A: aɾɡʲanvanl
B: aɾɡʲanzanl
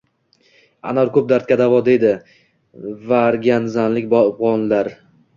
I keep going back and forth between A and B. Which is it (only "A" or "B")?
B